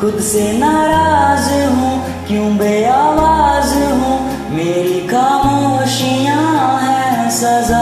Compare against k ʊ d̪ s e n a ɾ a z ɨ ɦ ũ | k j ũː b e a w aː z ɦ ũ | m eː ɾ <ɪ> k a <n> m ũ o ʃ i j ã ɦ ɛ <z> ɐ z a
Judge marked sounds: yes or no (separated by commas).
no, no, no